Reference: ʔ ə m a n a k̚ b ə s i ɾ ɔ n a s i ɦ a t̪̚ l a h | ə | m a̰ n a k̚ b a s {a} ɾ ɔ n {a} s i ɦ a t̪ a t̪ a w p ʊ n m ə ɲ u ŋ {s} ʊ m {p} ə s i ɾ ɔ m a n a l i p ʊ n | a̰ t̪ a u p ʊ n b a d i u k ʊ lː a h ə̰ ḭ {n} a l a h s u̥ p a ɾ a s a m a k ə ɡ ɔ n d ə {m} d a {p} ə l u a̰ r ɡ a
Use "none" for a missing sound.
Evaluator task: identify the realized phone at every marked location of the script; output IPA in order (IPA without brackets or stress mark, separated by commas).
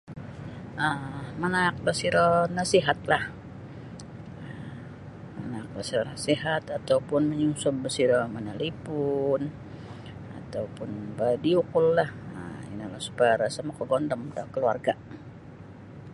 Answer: i, a, s, b, n, m, k